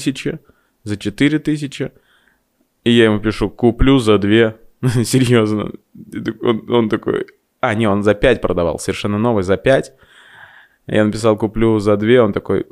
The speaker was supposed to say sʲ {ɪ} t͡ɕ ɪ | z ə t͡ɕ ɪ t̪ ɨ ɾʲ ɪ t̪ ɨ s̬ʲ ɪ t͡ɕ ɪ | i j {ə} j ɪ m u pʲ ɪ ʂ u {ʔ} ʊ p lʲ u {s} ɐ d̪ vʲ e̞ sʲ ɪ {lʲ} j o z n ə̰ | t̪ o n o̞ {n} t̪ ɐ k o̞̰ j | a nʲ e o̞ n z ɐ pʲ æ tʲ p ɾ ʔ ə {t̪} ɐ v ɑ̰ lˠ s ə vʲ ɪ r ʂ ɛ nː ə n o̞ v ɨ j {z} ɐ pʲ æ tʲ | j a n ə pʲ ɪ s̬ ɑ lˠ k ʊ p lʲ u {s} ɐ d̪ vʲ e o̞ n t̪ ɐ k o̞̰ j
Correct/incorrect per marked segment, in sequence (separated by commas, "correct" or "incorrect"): correct, incorrect, incorrect, incorrect, incorrect, correct, incorrect, correct, incorrect